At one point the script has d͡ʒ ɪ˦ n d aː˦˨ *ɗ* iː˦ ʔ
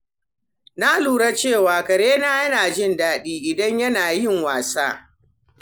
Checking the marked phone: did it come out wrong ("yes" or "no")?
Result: no